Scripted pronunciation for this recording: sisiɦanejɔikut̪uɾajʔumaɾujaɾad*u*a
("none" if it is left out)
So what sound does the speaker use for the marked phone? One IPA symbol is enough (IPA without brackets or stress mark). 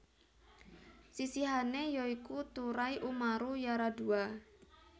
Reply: u